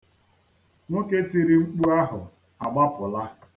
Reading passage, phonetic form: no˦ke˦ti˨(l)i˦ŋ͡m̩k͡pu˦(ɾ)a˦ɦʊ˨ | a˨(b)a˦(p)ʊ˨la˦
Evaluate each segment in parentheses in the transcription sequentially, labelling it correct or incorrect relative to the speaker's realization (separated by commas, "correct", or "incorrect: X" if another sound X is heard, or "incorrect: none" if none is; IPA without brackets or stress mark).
incorrect: ɾ, incorrect: none, incorrect: ɡ͡b, correct